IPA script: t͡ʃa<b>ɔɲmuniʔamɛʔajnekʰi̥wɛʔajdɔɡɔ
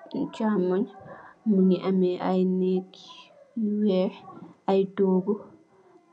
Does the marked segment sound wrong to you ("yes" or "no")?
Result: yes